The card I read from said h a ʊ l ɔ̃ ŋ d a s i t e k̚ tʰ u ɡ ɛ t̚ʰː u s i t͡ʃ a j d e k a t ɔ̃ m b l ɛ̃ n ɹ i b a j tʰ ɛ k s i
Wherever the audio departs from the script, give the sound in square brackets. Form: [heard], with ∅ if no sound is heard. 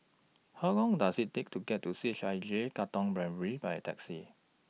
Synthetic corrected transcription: h a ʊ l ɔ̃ ŋ d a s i t e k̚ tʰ u ɡ ɛ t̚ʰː u s i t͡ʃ a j [d͡ʒ] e k a t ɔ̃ [ŋ] b [ɹ] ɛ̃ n ɹ i b a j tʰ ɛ k s i